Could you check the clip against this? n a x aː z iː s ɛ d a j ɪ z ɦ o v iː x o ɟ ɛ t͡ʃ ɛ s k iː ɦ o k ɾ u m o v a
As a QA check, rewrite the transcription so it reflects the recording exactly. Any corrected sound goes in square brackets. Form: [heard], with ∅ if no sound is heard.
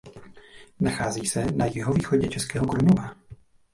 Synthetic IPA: n a x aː z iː s ɛ [n] a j ɪ [∅] ɦ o v iː x o ɟ ɛ t͡ʃ ɛ s k [ɛː] ɦ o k ɾ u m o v a